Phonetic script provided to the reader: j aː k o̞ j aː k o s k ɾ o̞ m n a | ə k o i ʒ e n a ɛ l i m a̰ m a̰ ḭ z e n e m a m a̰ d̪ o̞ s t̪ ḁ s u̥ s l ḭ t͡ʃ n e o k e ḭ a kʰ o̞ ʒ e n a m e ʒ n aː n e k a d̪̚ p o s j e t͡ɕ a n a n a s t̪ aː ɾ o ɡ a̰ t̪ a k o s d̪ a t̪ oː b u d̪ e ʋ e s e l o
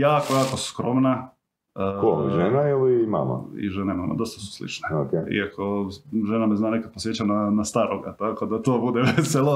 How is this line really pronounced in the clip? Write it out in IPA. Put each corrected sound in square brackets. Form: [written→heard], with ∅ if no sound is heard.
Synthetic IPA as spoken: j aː k o̞ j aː k o s k ɾ o̞ m n a | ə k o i ʒ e n a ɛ l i m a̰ m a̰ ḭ [z→ʒ] e n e m a m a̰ d̪ o̞ s t̪ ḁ s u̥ s l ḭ t͡ʃ n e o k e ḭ a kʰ o̞ ʒ e n a m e [ʒ→z] n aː n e k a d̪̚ p o s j e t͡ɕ a n a n a s t̪ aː ɾ o ɡ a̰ t̪ a k o [s→∅] d̪ a t̪ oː b u d̪ e ʋ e s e l o